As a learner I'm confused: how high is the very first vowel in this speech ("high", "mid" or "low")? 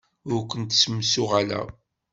high